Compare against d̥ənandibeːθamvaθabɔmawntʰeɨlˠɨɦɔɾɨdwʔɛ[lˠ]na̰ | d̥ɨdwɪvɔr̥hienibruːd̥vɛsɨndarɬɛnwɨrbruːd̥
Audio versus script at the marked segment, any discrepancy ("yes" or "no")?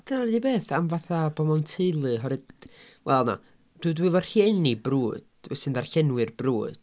no